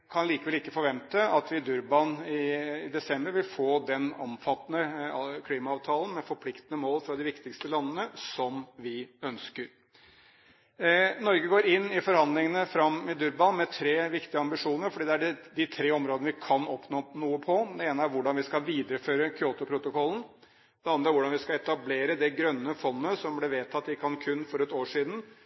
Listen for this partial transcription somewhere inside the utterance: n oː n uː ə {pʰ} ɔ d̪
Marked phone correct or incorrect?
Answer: correct